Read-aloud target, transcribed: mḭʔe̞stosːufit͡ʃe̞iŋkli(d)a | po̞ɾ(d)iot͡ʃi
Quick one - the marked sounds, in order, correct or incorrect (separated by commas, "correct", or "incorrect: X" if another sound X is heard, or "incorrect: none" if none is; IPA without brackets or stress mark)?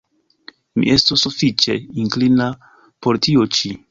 incorrect: n, incorrect: t